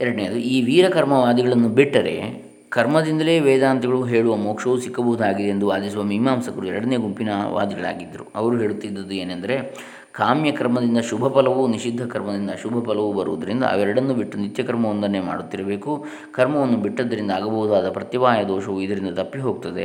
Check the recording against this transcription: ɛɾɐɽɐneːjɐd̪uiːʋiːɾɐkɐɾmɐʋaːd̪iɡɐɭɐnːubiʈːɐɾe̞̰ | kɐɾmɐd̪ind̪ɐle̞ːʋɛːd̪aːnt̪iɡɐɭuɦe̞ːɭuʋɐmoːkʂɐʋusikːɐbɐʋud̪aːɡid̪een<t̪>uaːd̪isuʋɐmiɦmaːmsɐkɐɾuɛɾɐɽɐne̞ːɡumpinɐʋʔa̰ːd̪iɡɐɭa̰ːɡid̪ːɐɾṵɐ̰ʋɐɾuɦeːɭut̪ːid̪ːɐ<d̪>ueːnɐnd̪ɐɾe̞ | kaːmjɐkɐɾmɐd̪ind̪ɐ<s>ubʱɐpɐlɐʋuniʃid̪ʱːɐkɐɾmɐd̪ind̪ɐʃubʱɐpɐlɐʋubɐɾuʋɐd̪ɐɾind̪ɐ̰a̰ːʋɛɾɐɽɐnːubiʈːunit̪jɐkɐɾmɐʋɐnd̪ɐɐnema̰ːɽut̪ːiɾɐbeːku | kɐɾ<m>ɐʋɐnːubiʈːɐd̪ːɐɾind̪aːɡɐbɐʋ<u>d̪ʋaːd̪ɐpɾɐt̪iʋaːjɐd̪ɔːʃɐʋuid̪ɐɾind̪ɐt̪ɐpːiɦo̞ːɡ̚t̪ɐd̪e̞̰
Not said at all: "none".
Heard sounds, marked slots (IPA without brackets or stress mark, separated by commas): d̪, d̪, ʃ, m, u